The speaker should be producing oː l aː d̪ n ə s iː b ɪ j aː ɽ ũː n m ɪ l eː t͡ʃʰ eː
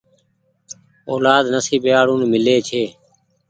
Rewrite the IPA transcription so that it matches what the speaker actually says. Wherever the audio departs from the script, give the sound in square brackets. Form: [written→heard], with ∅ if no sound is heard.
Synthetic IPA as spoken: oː l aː d̪ n ə s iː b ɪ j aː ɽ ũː n m ɪ l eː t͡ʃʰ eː